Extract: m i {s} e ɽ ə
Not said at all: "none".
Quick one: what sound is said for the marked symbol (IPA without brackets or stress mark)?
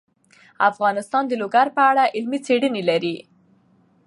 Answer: t͡s